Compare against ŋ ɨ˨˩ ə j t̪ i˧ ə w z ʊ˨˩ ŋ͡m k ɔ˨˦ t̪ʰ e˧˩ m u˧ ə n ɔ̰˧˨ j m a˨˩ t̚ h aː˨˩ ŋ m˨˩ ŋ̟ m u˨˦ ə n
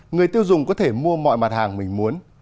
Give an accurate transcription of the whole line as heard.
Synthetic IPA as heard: ŋ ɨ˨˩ ə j t̪ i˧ ə w z ʊ˨˩ ŋ͡m k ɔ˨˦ t̪ʰ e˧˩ m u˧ ə m ɔ̰˧˨ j m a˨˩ t̚ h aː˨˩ ŋ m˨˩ ŋ̟ m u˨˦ ə n